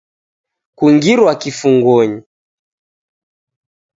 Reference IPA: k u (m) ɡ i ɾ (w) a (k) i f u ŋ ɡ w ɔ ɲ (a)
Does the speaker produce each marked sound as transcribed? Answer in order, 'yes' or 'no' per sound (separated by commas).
no, yes, yes, no